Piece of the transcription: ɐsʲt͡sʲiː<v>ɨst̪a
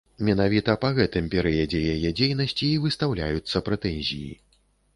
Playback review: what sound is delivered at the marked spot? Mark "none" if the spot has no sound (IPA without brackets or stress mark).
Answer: v